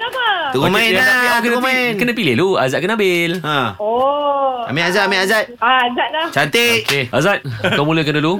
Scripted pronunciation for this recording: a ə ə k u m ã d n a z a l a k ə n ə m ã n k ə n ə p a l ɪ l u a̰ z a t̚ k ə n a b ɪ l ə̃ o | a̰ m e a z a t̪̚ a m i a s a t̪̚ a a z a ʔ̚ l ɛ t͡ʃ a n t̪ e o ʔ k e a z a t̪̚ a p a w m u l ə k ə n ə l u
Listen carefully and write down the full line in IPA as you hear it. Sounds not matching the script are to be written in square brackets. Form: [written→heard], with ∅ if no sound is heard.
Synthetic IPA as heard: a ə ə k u m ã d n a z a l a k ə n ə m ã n k ə n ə p [a→i] l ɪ l u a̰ z a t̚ k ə n a b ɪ l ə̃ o | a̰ m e a z a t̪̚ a m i a [s→z] a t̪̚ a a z a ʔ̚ l [ɛ→a] t͡ʃ a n t̪ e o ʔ k e a z a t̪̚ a [p→k] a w m u l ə k ə n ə l u